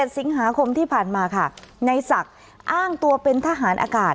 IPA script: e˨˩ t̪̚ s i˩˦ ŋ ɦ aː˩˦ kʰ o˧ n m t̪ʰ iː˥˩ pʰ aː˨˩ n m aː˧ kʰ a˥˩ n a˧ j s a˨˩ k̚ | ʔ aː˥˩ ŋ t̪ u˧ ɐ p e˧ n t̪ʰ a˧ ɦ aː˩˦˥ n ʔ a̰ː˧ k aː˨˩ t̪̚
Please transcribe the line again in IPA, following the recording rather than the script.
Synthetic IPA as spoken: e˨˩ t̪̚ s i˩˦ ŋ ɦ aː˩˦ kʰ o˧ m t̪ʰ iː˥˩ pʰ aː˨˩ n m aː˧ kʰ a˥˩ n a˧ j s a˨˩ k̚ | ʔ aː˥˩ ŋ t̪ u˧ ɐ p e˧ n t̪ʰ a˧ ɦ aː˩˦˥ n ʔ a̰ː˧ k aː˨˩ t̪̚

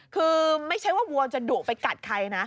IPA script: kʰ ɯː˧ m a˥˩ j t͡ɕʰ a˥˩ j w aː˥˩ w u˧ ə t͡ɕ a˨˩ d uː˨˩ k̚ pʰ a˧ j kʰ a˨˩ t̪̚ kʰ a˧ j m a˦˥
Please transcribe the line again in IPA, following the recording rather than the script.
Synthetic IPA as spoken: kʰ ɯː˧ m a˥˩ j t͡ɕʰ a˦˥ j w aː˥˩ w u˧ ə t͡ɕ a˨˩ d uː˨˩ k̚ p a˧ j k a˨˩ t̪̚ kʰ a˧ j n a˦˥

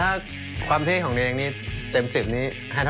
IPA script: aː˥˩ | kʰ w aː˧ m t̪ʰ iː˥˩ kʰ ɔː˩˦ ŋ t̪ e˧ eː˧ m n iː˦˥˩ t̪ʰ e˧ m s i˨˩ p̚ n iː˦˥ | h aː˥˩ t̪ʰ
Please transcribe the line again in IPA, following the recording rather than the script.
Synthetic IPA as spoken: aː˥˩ | kʰ w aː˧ m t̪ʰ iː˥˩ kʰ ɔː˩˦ ŋ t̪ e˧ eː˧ ŋ n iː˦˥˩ t̪ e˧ m s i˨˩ p̚ n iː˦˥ | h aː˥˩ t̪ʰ

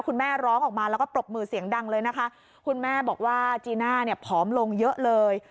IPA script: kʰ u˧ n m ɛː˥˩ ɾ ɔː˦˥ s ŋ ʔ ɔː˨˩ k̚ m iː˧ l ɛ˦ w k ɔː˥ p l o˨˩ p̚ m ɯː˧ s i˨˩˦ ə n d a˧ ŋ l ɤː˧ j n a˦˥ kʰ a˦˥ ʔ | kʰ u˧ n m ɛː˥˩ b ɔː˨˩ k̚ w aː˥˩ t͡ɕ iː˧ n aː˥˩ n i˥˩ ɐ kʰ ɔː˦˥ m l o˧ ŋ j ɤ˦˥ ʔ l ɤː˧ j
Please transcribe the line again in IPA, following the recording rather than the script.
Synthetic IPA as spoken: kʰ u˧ n m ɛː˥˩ ɾ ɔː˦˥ ŋ ʔ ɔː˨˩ k̚ m aː˧ l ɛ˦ w k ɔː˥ p ɾ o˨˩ p̚ m ɯː˧ s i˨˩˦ ə ŋ d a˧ ŋ l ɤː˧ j n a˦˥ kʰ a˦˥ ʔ | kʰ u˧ n m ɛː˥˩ b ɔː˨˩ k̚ w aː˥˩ t͡ɕ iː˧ n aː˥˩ n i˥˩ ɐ pʰ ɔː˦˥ m l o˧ ŋ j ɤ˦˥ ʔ l ɤː˧ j

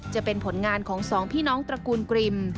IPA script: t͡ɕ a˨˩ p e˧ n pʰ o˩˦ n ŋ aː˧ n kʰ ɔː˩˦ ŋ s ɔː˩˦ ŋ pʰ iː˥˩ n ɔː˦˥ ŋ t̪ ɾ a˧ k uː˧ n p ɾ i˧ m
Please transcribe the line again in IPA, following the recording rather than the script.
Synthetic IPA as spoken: t͡ɕ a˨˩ p e˧ n pʰ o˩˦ n ŋ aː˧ n kʰ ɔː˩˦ ŋ s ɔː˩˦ ŋ pʰ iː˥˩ n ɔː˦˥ ŋ t̪ ɾ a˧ k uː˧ n k ɾ i˧ m

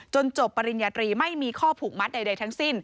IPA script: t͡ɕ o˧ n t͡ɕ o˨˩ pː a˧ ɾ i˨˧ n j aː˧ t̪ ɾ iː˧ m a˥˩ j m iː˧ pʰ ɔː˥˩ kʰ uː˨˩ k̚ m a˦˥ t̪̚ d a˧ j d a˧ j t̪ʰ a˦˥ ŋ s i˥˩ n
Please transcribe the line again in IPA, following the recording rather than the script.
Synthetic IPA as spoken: t͡ɕ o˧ n t͡ɕ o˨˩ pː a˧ ɾ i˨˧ n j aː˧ t̪ ɾ iː˧ m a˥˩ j m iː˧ kʰ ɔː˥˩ pʰ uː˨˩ k̚ m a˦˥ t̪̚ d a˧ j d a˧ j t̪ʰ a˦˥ ŋ s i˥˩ n

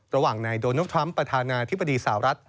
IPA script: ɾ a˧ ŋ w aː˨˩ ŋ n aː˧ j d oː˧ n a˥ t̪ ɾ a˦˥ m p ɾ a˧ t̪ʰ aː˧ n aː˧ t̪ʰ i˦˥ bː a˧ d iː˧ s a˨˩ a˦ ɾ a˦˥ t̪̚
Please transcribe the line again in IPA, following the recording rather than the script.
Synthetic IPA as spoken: ɾ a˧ w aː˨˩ ŋ n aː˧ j d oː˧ n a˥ t̪ʰ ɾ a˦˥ m p ɾ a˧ t̪ʰ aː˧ n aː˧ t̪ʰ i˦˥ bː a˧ d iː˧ s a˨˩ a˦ ɾ a˦˥ t̪̚

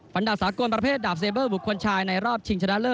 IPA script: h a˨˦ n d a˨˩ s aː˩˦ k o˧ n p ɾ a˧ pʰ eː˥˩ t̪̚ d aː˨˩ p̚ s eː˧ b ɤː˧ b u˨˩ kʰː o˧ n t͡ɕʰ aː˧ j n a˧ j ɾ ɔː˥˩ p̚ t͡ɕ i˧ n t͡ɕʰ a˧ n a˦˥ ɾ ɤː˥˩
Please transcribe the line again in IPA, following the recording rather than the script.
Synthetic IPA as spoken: f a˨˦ n d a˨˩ s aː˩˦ k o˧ n p ɾ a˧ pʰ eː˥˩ t̪̚ d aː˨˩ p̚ s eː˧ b ɤː˥˩ b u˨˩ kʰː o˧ n t͡ɕʰ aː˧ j n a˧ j ɾ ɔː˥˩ p̚ t͡ɕʰ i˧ ŋ t͡ɕʰ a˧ n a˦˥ l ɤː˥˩

